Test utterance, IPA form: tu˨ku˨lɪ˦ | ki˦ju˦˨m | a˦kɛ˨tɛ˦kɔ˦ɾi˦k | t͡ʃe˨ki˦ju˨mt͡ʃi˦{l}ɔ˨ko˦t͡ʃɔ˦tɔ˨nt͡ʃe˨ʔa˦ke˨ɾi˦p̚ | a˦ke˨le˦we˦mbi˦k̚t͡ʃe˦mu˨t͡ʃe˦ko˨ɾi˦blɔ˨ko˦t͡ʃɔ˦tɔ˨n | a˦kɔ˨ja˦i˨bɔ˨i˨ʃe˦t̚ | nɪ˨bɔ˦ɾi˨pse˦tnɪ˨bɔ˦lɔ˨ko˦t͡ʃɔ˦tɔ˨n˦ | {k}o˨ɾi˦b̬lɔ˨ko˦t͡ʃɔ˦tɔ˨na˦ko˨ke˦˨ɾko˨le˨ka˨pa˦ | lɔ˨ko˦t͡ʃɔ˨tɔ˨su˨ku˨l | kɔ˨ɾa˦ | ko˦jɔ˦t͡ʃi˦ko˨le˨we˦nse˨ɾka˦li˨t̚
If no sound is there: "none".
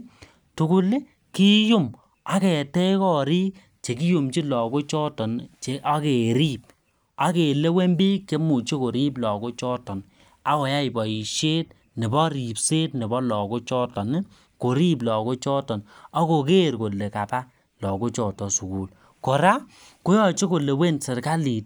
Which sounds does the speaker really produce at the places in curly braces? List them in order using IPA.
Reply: l, k

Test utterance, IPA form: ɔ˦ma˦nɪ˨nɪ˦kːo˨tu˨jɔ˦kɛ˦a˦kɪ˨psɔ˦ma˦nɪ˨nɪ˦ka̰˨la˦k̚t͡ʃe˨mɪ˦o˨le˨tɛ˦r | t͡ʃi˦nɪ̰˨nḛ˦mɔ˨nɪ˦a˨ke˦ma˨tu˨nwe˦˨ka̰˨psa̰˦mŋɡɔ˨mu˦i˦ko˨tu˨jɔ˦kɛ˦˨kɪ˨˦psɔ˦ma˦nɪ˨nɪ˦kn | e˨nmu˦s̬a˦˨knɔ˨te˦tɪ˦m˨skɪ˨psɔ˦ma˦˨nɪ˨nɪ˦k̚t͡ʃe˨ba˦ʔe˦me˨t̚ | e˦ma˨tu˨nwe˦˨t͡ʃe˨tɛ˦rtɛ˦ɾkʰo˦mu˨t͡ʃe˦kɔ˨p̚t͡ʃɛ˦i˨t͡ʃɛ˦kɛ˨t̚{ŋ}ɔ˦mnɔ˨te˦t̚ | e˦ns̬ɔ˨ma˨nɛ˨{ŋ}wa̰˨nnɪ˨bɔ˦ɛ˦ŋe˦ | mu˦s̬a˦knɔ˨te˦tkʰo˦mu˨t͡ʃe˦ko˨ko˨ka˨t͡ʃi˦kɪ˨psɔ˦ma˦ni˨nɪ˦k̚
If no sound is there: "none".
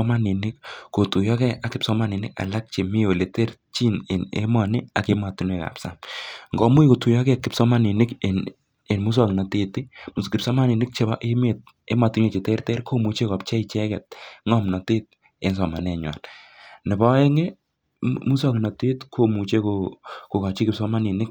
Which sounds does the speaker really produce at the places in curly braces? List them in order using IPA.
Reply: ŋ, ɲ

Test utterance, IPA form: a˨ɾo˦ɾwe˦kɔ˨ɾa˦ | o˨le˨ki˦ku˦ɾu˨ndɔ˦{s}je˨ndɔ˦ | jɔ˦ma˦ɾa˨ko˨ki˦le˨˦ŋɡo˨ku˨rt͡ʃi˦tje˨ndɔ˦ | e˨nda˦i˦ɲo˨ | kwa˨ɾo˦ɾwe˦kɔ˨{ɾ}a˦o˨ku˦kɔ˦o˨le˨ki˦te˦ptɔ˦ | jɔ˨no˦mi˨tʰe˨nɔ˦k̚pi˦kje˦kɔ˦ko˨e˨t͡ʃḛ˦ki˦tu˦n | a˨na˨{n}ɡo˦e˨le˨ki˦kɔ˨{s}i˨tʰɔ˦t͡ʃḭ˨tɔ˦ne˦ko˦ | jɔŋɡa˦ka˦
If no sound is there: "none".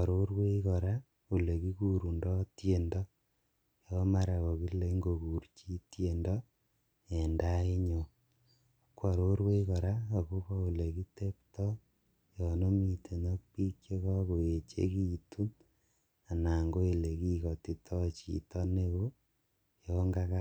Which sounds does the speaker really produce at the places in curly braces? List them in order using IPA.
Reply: t, ɾ, ŋ, t

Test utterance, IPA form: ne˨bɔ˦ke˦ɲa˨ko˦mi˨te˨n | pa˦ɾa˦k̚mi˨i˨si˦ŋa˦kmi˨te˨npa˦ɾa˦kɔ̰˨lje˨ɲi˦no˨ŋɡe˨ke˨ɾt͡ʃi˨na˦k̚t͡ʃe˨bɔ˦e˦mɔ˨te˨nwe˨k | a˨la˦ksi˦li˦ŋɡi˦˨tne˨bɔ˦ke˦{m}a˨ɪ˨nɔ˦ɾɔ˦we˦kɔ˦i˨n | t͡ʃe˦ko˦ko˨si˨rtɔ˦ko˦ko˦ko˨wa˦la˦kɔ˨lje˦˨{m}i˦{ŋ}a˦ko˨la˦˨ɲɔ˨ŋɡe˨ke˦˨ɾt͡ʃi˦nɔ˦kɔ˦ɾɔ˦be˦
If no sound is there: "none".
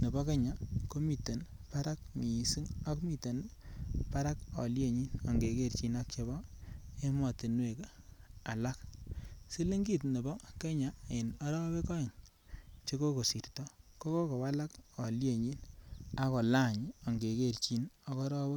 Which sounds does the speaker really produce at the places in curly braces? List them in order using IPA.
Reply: ɲ, ɲ, n

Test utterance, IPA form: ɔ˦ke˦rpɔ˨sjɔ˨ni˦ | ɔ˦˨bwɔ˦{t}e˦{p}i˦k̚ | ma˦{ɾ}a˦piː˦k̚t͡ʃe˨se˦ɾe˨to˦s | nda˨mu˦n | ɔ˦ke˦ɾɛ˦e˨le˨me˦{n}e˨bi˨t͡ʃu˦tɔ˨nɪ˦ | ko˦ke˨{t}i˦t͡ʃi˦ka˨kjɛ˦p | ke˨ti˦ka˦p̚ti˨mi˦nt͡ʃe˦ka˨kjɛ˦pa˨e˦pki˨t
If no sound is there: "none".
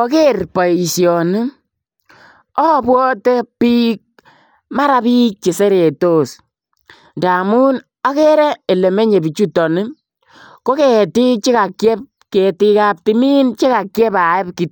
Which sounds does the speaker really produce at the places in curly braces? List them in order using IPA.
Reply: t, p, ɾ, ɲ, t

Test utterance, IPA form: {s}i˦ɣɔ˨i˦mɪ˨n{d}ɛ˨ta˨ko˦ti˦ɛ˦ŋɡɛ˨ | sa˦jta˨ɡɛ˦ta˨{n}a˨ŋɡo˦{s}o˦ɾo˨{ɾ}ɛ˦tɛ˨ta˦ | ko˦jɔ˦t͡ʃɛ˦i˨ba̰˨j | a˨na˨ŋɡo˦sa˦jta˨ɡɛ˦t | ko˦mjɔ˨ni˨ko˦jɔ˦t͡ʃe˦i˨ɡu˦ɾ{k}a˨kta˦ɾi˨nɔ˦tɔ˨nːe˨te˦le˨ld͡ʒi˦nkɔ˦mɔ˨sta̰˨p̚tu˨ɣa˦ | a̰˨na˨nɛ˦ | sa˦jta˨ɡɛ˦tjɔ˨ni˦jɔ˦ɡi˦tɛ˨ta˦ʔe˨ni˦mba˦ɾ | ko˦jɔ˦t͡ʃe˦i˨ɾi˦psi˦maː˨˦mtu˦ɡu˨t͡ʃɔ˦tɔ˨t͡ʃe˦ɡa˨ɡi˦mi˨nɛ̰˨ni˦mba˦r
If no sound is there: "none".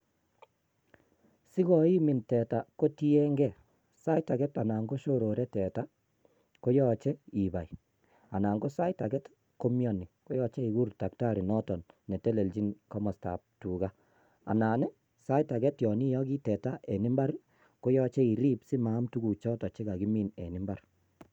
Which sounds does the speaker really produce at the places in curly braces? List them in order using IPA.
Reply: s, t, n, ʃ, ɾ, t

